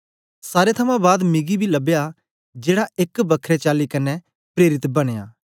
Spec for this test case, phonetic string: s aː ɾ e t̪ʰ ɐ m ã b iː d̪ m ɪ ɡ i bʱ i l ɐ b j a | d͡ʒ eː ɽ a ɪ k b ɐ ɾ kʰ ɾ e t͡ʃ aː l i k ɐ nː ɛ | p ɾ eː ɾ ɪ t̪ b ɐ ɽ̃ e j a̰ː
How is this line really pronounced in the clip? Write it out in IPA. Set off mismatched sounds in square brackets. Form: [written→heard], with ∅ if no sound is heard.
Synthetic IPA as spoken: s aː ɾ e t̪ʰ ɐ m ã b [iː→aː] d̪ m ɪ ɡ i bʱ i l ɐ b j a | d͡ʒ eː ɽ a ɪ k b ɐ [ɾ→∅] kʰ ɾ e t͡ʃ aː l i k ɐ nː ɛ | p ɾ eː ɾ ɪ t̪ b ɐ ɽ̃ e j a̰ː